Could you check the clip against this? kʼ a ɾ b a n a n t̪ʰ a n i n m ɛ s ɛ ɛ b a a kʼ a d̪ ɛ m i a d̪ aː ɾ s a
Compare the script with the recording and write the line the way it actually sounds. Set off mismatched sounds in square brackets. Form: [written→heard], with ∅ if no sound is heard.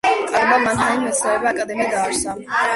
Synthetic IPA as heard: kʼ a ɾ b a [n→m] a n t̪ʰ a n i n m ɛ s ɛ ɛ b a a kʼ a d̪ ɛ m i a d̪ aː ɾ s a